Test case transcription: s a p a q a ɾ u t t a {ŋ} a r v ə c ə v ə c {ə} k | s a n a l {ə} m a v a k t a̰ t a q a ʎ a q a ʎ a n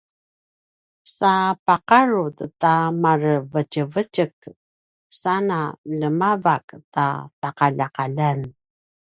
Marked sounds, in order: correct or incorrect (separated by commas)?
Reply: incorrect, correct, correct